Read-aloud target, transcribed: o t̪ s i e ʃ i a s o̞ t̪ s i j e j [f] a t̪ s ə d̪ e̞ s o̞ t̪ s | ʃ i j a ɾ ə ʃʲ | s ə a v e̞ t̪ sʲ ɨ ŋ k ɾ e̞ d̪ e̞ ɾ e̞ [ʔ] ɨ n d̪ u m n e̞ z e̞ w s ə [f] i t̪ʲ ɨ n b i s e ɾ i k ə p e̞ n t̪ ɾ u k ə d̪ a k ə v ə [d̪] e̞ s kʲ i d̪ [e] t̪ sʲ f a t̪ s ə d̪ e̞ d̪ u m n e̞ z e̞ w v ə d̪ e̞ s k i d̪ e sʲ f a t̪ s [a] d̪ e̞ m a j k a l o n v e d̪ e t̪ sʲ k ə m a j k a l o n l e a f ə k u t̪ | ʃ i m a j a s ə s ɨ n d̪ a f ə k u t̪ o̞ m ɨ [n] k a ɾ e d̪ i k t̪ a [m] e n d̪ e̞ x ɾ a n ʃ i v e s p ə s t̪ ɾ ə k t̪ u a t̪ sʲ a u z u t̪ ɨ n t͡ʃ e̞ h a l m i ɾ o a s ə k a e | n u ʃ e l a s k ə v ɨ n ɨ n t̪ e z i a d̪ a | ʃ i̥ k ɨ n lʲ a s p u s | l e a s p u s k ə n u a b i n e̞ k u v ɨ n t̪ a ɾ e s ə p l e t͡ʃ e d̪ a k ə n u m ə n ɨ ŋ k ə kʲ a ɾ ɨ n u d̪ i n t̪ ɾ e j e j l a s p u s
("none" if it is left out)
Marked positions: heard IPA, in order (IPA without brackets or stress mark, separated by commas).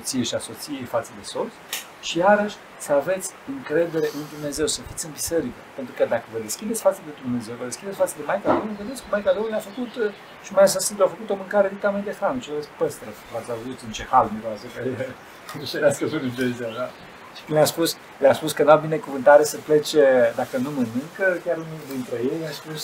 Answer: f, ʔ, f, d̪, e, ə, ŋ, m